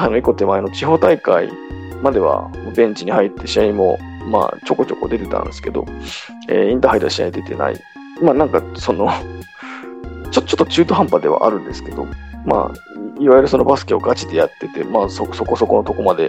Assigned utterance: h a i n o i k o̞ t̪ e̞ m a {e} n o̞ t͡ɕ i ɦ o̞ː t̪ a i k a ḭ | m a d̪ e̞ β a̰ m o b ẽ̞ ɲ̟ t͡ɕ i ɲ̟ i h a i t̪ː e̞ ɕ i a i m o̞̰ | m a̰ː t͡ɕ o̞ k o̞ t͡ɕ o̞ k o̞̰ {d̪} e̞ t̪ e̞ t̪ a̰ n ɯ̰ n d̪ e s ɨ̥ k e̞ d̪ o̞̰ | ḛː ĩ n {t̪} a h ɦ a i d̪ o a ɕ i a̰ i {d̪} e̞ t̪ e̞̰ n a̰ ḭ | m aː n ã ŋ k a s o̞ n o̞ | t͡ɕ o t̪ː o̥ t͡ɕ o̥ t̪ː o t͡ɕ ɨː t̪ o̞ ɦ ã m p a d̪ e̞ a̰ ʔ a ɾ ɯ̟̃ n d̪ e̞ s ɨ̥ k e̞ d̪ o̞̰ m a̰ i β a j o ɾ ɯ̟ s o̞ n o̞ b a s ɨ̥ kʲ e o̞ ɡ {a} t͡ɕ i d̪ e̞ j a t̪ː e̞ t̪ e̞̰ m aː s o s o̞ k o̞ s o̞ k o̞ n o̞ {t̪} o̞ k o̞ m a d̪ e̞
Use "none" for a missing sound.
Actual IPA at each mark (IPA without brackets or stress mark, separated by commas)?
e, d̪, t̪, d̪, a, t̪